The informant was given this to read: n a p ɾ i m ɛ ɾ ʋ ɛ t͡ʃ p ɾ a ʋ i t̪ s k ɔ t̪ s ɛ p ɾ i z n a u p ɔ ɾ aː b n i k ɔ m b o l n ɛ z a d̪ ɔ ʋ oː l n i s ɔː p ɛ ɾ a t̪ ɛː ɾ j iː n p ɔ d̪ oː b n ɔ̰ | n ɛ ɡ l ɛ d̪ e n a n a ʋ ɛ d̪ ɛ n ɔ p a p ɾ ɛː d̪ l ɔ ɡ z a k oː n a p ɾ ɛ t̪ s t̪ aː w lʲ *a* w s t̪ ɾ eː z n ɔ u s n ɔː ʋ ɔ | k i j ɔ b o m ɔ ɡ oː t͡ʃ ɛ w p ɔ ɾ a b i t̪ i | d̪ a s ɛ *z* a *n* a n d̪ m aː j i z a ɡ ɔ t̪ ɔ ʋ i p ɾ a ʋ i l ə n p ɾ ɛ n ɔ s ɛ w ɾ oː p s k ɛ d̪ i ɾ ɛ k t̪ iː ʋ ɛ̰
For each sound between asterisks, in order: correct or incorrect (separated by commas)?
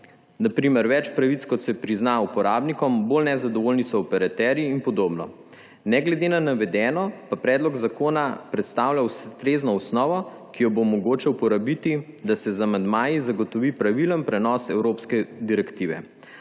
correct, correct, incorrect